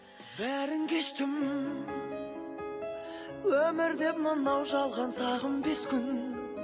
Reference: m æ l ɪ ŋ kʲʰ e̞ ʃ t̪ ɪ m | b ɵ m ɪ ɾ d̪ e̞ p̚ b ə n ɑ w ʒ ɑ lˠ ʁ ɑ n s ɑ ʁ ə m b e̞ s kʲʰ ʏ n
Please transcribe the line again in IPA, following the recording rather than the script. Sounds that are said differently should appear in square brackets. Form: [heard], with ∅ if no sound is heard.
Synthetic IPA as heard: [b] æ [ɾ] ɪ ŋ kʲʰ e̞ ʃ t̪ ɪ m | [w] ɵ m ɪ ɾ d̪ e̞ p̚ [m] ə n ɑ w ʒ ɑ lˠ ʁ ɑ n s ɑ ʁ ə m b e̞ s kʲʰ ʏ n